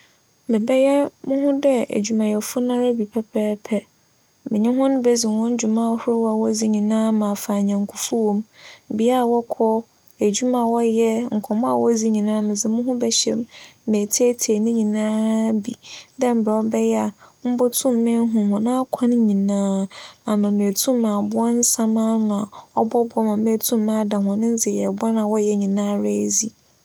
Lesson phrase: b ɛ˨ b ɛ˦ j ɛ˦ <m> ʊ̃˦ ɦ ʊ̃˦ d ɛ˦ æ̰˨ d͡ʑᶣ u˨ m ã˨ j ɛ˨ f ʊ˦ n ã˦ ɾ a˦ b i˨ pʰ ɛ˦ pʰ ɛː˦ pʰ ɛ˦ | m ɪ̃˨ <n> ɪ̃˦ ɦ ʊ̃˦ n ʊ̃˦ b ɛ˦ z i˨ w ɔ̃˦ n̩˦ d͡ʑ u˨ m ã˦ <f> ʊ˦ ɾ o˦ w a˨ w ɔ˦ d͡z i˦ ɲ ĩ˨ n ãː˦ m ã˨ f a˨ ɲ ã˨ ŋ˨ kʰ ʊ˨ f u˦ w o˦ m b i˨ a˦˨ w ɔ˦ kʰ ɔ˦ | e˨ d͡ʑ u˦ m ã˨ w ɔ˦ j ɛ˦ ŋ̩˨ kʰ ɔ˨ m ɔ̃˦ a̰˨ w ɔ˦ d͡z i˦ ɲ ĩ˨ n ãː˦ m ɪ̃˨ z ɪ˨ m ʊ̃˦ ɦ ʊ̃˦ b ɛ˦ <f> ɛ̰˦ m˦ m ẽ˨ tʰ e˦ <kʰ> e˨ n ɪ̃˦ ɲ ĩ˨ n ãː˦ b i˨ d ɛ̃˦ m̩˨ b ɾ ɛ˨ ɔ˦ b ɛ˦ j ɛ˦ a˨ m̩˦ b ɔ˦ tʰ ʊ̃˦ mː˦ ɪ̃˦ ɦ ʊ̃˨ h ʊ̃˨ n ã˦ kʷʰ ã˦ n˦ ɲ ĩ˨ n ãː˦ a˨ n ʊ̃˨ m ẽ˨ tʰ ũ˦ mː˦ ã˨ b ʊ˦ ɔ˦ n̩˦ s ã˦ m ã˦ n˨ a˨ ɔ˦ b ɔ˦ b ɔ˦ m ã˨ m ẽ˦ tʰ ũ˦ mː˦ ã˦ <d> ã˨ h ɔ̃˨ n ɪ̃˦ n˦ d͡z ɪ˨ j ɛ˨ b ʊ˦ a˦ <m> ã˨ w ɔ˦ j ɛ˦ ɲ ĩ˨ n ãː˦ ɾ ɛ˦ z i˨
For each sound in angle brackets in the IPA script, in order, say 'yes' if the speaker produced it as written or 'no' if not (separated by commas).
yes, no, no, no, no, yes, no